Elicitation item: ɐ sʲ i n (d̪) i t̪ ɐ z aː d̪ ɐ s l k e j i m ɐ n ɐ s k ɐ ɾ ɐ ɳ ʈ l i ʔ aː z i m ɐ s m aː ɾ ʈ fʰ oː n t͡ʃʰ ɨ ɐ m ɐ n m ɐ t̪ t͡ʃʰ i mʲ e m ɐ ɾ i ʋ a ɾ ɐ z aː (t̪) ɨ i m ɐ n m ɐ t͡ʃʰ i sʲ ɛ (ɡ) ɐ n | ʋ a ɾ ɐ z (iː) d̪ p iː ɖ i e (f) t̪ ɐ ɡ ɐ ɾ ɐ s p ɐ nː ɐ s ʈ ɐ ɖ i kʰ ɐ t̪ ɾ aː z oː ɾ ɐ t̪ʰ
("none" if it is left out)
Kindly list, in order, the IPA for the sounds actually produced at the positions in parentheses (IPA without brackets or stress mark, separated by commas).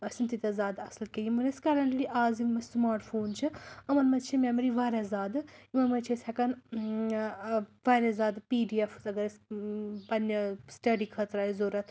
t̪, d̪, k, aː, f